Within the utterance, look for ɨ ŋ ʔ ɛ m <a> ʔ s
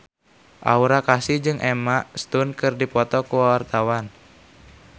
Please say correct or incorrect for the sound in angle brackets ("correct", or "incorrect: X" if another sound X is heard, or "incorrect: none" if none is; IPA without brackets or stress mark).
correct